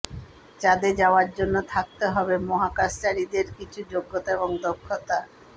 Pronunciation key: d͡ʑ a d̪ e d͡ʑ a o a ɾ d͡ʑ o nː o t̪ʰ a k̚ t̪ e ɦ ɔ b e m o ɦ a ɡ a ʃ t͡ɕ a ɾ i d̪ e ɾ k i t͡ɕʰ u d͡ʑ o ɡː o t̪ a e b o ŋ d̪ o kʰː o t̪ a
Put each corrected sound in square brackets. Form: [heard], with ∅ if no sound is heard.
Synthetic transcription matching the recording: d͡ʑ a d̪ e d͡ʑ a o a ɾ d͡ʑ o nː o t̪ʰ a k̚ t̪ e ɦ ɔ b e m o ɦ a [k] a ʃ t͡ɕ a ɾ i d̪ e ɾ k i t͡ɕʰ u d͡ʑ o ɡː o t̪ a e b o ŋ d̪ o kʰː o t̪ a